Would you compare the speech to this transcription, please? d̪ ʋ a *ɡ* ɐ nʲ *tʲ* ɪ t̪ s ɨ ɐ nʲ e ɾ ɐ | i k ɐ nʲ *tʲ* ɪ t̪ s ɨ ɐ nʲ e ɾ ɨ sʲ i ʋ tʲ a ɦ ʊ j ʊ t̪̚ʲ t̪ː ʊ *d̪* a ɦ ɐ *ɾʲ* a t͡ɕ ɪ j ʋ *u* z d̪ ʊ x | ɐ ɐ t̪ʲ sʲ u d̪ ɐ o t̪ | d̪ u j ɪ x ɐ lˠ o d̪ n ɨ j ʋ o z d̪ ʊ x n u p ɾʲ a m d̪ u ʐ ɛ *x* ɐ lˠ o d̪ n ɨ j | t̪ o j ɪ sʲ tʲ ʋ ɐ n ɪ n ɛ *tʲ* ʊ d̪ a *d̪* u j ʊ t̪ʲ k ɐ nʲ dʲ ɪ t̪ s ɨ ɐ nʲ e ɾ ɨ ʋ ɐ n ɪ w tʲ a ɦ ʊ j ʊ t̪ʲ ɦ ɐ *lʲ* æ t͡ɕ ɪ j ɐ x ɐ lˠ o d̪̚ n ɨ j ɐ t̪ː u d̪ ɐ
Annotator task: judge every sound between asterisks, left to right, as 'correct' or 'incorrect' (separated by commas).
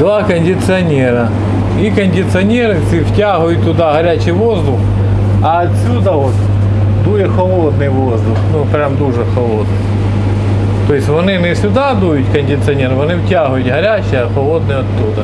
incorrect, incorrect, incorrect, correct, correct, incorrect, correct, incorrect, correct, incorrect